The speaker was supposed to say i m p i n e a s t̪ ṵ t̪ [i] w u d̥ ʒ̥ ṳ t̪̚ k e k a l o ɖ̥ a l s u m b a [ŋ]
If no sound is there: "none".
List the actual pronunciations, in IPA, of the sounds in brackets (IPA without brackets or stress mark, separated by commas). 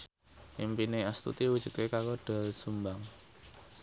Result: i, ŋ